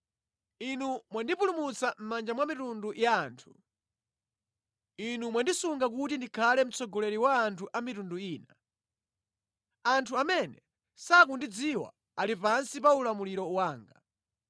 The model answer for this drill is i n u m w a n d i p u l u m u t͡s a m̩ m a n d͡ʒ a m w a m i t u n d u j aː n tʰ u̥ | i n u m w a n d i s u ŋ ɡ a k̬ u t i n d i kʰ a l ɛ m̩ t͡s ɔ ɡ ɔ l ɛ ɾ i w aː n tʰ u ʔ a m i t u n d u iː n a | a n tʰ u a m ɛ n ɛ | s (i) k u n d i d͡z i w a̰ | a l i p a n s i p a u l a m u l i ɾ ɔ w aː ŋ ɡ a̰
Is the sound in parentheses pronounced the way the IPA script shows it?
no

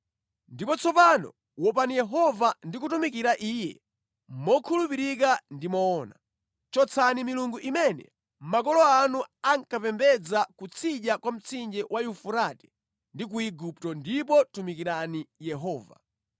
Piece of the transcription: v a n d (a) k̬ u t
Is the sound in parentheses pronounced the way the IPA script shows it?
no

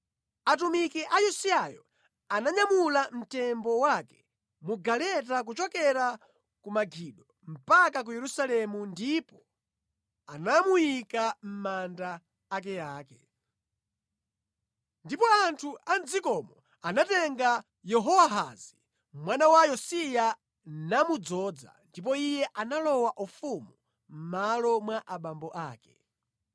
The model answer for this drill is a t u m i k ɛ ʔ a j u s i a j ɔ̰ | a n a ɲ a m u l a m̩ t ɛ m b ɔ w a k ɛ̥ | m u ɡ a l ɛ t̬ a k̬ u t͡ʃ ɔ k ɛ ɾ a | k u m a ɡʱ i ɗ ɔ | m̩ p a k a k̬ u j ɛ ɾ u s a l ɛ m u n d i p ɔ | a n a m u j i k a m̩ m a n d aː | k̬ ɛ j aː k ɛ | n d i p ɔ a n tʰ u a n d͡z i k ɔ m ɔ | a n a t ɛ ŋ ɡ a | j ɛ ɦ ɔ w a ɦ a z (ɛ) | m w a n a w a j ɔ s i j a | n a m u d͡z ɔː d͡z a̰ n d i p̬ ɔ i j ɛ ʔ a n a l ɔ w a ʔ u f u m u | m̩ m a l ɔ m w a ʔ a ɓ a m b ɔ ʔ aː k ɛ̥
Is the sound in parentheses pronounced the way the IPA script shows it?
no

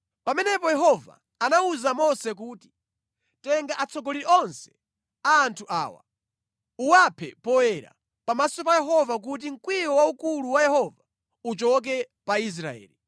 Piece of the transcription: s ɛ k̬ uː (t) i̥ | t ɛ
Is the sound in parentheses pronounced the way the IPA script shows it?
yes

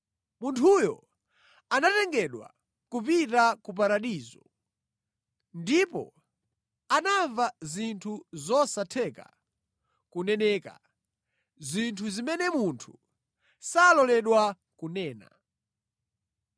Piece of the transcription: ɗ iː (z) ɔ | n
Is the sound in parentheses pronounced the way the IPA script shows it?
yes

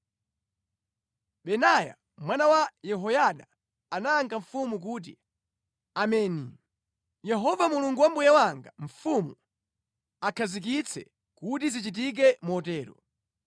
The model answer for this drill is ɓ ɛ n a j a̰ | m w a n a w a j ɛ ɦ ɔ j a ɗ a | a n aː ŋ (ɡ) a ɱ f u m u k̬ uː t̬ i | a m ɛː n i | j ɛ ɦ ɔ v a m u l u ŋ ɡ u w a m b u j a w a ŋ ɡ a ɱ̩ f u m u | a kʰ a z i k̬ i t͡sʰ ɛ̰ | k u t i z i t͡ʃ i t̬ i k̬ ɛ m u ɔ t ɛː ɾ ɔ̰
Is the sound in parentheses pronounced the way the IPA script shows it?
yes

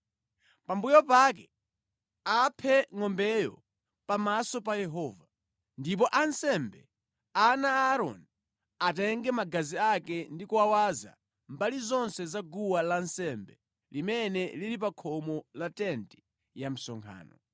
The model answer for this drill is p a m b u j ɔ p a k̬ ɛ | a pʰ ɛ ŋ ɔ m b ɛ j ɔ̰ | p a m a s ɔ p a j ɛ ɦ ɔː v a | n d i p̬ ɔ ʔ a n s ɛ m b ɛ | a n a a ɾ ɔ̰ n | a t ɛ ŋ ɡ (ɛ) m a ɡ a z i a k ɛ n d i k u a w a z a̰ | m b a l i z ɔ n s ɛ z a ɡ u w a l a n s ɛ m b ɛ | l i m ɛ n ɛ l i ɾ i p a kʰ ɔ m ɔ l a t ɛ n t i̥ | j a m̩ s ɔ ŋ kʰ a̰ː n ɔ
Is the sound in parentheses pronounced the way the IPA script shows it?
yes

